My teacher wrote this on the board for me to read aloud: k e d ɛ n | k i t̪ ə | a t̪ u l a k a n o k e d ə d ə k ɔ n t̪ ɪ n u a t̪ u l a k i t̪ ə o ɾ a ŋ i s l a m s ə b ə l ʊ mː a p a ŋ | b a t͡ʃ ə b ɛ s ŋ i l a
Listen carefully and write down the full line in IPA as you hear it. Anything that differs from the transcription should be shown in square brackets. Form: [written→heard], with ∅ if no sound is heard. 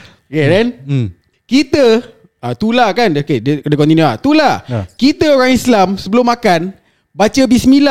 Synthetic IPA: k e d ɛ n | k i t̪ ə | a t̪ u l a k a n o k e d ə d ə k ɔ n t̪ [ɪ→i] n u a t̪ u l a k i t̪ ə o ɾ a ŋ i s l a m s ə b ə l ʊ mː a [p→k] a [ŋ→n] | b a t͡ʃ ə b [ɛ→i] s [ŋ→m] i l a